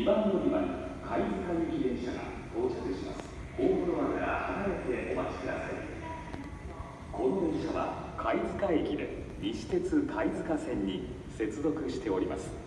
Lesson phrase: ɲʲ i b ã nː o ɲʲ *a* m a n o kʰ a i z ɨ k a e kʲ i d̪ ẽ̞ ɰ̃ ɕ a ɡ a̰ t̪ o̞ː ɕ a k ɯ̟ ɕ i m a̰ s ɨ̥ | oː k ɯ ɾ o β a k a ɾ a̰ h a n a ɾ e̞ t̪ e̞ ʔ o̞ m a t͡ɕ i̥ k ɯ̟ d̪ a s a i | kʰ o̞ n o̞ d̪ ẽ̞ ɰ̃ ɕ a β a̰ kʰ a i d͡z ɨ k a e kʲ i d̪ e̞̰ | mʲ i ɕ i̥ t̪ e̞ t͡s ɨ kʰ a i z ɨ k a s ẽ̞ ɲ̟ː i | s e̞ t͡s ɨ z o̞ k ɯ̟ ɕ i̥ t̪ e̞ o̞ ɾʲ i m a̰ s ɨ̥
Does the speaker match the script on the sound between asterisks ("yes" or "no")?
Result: no